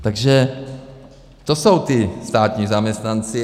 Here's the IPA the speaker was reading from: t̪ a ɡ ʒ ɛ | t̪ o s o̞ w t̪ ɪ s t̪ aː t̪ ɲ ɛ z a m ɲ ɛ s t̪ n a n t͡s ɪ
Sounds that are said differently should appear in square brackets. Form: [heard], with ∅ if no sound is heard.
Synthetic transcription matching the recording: t̪ a ɡ ʒ ɛ | t̪ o s o̞ w t̪ ɪ s t̪ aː t̪ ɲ [i] z a m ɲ ɛ s t̪ n a n t͡s ɪ